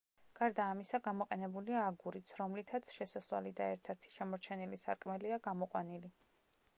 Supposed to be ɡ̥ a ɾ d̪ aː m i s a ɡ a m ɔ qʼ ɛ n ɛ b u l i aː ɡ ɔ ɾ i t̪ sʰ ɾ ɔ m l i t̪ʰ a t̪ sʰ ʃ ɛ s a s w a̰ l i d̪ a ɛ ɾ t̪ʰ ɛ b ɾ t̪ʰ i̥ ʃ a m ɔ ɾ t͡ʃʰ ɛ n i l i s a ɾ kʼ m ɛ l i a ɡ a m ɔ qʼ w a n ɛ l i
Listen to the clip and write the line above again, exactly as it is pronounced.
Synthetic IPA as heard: ɡ̥ a ɾ d̪ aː m i s a ɡ a m ɔ qʼ ɛ n ɛ b u l i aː ɡ u ɾ i t̪ sʰ ɾ ɔ m l i t̪ʰ a t̪ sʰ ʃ ɛ s a s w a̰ l i d̪ a ɛ ɾ t̪ʰ ɛ ɾ t̪ʰ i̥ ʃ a m ɔ ɾ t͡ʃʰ ɛ n i l i s a ɾ kʼ m ɛ l i a ɡ a m ɔ qʼ w a n i l i